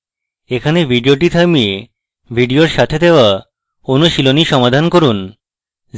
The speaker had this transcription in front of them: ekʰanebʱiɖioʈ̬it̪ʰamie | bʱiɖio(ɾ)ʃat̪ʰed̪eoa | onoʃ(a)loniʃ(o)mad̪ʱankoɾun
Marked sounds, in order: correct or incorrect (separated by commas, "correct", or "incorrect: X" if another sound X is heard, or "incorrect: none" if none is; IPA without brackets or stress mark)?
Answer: correct, incorrect: i, incorrect: ɔ